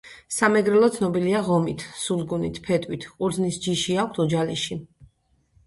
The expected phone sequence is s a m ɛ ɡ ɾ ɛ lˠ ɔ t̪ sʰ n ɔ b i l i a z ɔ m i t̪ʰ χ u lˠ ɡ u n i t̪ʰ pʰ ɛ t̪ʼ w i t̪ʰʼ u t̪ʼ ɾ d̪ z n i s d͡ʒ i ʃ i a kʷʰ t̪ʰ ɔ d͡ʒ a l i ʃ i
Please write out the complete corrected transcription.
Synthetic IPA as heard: s a m ɛ ɡ ɾ ɛ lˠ ɔ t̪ sʰ n ɔ b i l i a ʁ ɔ m i t̪ʰ s u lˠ ɡ u n i t̪ʰ pʰ ɛ t̪ʼ w i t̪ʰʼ u ɾ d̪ z n i s d͡ʒ i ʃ i a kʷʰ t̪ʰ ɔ d͡ʒ a l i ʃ i